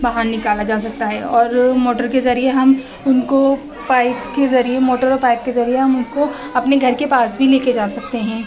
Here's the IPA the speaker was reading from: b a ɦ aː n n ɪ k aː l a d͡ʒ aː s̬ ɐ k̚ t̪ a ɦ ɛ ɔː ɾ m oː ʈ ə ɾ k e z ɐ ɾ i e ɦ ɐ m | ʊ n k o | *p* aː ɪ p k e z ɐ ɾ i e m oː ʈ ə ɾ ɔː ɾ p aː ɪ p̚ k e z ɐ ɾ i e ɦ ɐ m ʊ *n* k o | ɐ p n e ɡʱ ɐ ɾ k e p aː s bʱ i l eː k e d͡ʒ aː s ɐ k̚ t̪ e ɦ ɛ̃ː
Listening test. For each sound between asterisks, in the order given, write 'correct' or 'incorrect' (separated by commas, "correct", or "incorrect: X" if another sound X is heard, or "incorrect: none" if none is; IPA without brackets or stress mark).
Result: correct, correct